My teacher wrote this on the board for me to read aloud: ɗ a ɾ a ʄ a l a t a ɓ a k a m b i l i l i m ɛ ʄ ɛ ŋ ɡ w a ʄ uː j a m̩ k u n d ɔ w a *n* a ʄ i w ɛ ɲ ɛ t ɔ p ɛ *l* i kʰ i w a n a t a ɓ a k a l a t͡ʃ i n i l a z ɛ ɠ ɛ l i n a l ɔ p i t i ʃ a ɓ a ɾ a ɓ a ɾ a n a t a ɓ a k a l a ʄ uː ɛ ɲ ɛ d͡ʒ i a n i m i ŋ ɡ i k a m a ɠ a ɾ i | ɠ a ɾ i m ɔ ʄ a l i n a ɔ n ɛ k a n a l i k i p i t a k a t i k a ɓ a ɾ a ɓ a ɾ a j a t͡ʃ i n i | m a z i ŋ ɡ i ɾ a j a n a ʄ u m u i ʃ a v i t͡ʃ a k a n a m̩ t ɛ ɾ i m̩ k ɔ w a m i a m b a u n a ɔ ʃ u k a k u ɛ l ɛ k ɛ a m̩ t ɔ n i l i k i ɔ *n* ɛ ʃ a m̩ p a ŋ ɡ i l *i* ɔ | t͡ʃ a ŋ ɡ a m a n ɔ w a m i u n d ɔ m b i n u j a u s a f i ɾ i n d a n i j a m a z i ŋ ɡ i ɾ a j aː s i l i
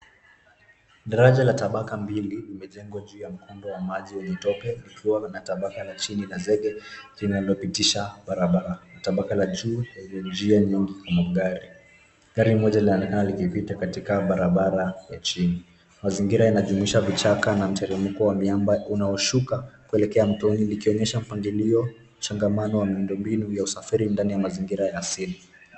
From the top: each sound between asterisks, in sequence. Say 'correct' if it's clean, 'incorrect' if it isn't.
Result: incorrect, correct, incorrect, correct

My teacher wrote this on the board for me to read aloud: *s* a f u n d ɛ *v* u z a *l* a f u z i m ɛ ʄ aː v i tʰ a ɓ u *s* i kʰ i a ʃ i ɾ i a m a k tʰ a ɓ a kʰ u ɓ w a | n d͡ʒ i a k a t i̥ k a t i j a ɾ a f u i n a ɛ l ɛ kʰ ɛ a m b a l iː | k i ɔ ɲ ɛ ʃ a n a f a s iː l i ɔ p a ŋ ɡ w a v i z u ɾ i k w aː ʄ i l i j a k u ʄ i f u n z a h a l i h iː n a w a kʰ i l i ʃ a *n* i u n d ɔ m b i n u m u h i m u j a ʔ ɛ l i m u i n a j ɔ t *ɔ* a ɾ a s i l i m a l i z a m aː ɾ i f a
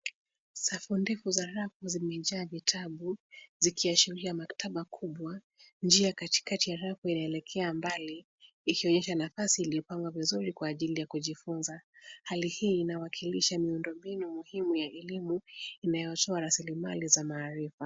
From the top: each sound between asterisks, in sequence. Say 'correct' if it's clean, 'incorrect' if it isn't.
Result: correct, incorrect, incorrect, incorrect, incorrect, correct

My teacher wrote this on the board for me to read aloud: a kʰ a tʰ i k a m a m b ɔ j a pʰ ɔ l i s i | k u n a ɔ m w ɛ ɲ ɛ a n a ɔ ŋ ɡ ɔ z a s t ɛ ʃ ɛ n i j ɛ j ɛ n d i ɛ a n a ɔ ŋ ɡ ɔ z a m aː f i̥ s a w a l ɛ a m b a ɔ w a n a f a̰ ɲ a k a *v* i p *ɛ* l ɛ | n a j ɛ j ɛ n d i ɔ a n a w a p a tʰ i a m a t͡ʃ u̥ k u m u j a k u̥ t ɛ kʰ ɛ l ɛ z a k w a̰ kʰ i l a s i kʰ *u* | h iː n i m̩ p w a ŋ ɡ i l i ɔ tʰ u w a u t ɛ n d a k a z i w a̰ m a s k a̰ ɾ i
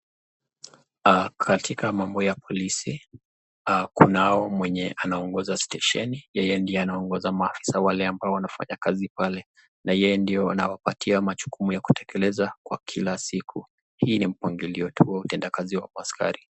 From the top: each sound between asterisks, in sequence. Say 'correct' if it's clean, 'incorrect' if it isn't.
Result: incorrect, incorrect, correct

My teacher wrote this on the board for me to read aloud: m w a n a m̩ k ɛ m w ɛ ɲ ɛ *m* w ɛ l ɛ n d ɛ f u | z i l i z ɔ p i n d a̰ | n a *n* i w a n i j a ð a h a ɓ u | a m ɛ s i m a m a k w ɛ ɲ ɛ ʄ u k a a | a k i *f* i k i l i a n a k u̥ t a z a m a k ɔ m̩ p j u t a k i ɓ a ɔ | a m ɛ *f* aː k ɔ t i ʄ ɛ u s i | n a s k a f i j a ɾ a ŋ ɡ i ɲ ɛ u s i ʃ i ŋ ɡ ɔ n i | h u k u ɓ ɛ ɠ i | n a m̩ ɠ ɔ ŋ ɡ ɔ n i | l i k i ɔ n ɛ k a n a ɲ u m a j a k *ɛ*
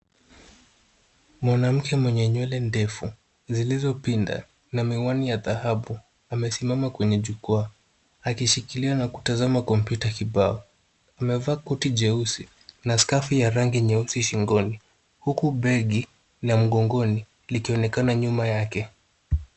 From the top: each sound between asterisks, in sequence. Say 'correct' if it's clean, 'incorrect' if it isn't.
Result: incorrect, incorrect, incorrect, incorrect, correct

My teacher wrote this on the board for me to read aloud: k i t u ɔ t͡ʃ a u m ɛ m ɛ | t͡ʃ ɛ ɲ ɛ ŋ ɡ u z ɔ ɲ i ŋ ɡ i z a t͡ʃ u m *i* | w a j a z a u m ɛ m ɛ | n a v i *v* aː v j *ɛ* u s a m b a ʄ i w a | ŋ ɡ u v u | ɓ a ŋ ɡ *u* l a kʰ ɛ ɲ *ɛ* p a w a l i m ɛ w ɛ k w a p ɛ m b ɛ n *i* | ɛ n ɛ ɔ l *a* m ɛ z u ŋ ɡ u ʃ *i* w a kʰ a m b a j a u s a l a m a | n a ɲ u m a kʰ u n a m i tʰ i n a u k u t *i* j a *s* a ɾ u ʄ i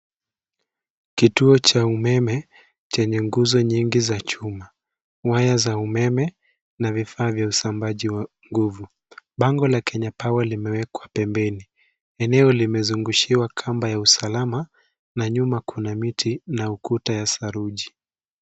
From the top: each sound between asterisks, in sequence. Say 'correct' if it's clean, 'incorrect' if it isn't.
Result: incorrect, incorrect, incorrect, incorrect, incorrect, correct, incorrect, correct, incorrect, correct

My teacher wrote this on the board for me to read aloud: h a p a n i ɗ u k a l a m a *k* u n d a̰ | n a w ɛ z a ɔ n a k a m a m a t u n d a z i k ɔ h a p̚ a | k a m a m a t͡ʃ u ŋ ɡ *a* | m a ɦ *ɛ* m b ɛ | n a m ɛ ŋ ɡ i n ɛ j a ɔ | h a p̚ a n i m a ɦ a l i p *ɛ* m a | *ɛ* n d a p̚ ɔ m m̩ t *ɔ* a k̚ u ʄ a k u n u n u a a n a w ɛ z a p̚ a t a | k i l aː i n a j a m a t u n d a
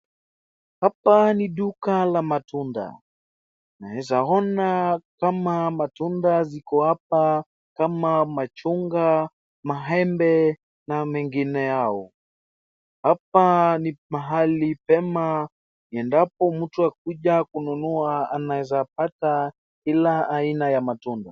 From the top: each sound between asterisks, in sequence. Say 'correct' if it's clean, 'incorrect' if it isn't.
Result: incorrect, correct, correct, correct, correct, incorrect

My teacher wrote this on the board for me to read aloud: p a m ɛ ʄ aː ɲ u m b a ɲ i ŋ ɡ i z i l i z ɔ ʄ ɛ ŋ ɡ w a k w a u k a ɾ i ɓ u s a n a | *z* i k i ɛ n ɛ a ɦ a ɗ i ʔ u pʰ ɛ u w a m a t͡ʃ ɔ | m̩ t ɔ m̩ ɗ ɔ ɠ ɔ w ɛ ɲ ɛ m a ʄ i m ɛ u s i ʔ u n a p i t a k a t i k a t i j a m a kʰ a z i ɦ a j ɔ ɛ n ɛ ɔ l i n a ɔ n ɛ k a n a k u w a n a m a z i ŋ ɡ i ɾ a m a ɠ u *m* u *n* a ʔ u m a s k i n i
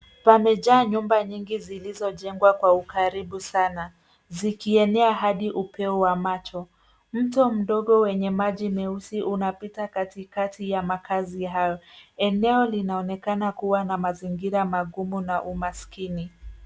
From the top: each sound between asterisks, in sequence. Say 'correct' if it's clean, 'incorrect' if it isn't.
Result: correct, correct, correct

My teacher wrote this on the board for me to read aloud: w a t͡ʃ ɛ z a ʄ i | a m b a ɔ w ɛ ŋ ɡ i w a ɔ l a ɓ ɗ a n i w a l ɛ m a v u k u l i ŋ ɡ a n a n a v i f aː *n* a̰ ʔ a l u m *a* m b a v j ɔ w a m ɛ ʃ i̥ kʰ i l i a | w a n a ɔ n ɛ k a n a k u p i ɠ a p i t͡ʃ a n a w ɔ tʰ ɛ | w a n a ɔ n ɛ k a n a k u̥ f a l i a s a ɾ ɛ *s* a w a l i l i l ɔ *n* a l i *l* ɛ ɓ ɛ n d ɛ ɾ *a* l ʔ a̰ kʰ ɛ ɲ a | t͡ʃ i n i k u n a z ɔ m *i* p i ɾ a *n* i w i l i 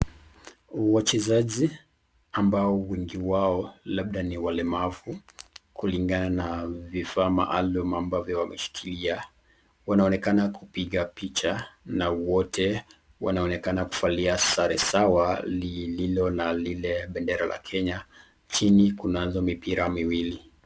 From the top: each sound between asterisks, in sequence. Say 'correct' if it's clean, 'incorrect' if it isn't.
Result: incorrect, correct, correct, correct, correct, correct, correct, incorrect

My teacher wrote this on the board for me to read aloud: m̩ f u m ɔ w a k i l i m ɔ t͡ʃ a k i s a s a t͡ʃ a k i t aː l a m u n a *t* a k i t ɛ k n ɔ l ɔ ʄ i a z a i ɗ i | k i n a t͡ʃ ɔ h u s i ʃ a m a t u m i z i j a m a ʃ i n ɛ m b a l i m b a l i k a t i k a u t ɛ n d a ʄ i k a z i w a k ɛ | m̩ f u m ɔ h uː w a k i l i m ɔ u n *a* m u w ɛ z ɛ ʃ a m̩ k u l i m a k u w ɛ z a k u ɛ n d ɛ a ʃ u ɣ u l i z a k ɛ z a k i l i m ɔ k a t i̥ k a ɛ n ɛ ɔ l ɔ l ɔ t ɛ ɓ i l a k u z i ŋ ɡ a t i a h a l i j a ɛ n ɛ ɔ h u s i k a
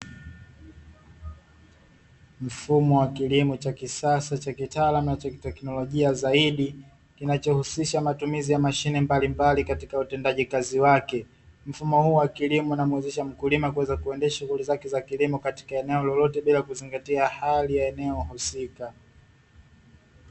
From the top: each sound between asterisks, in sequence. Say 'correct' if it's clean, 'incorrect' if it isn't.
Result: incorrect, correct

